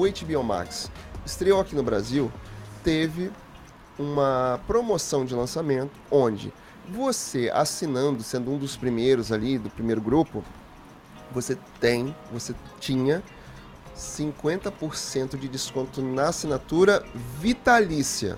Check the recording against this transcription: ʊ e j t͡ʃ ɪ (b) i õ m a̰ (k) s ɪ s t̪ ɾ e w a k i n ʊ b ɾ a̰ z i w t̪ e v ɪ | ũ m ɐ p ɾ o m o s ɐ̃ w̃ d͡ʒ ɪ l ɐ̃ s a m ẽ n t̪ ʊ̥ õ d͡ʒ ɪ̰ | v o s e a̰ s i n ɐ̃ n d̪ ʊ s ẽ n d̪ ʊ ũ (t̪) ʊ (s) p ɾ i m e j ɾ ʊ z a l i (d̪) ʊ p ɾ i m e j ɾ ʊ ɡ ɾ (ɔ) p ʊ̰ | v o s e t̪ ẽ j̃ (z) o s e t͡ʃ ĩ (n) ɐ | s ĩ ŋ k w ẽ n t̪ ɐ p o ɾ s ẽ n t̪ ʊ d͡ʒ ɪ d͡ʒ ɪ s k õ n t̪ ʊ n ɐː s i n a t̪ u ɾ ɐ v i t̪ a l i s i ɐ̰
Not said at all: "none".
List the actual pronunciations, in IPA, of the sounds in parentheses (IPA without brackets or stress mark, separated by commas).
b, k, d̪, s, d̪, u, v, ɲ